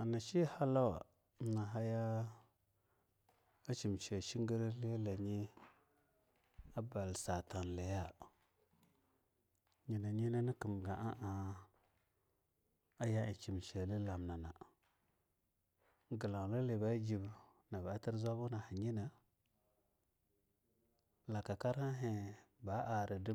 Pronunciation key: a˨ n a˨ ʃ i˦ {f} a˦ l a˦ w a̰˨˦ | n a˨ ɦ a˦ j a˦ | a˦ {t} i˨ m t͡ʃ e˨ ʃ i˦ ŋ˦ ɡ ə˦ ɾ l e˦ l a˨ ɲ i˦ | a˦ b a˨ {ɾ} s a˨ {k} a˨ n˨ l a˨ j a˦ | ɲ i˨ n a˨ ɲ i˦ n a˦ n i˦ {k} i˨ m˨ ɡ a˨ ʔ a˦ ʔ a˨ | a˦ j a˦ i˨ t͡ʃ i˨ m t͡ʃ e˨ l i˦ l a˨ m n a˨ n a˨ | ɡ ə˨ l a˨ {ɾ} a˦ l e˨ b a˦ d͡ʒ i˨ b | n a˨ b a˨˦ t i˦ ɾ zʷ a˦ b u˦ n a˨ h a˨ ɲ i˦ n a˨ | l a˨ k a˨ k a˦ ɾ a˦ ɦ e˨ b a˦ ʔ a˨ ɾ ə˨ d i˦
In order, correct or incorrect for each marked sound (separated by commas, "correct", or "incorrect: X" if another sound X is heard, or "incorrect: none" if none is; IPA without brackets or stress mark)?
incorrect: h, incorrect: t͡ʃ, incorrect: l, incorrect: t, correct, incorrect: l